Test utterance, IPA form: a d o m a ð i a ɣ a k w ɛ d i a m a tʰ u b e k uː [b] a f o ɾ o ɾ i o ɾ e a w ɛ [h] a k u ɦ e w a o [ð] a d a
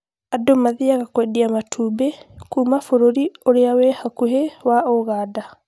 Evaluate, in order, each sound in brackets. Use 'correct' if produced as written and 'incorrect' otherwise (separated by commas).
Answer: incorrect, correct, incorrect